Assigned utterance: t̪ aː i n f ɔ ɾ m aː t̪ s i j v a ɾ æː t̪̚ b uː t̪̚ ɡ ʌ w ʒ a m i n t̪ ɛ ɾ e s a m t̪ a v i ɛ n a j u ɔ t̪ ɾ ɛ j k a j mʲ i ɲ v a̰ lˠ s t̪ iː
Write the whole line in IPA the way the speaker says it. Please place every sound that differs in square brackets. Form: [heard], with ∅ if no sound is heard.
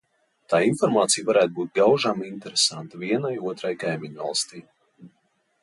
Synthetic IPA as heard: t̪ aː i n f ɔ ɾ m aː t̪ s i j v a ɾ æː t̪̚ b uː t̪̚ ɡ [a] w ʒ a m i n t̪ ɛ ɾ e s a [n] t̪ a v i ɛ n a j u ɔ t̪ ɾ [a] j k a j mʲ i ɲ v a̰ lˠ s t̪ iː